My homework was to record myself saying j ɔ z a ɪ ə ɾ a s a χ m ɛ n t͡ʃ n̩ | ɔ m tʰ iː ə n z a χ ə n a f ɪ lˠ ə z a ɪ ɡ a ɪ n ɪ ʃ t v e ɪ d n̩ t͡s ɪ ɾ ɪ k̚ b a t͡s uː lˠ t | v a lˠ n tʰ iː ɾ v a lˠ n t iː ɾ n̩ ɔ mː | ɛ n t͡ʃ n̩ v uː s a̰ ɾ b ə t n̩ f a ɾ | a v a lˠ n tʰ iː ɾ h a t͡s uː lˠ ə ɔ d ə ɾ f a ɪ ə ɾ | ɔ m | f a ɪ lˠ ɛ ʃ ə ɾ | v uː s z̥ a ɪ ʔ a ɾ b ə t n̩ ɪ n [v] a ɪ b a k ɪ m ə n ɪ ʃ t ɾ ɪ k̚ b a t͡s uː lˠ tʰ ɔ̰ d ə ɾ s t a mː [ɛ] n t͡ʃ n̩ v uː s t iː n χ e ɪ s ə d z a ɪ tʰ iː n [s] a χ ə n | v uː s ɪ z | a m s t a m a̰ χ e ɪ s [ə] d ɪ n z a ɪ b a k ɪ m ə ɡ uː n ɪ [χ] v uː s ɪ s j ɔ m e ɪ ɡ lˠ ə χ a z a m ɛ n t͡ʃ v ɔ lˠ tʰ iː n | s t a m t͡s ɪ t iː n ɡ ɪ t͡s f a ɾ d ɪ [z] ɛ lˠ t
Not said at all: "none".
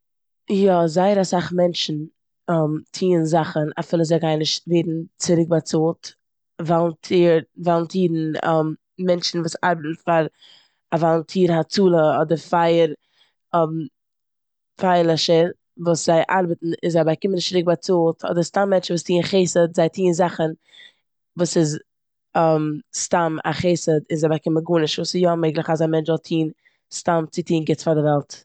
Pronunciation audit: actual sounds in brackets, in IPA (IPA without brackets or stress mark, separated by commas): z, ɛ, z, ə, ʃ, v